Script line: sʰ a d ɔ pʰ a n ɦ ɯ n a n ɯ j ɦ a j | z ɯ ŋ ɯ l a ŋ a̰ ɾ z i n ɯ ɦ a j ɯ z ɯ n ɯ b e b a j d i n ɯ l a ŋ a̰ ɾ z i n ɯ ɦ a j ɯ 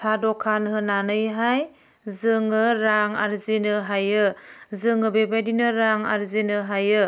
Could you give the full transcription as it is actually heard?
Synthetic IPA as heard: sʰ a d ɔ kʰ a n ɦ ɯ n a n ɯ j ɦ a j | z ɯ ŋ ɯ ɾ a ŋ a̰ ɾ z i n ɯ ɦ a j ɯ z ɯ ŋ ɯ b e b a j d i n ɯ ɾ a ŋ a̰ ɾ z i n ɯ ɦ a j ɯ